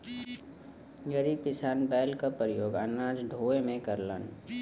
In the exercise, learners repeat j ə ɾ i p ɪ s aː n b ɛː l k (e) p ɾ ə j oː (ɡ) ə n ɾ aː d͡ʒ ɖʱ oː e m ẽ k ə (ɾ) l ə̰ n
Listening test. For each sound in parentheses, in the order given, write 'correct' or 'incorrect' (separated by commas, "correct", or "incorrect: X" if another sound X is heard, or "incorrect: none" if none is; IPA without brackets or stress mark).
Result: incorrect: a, correct, correct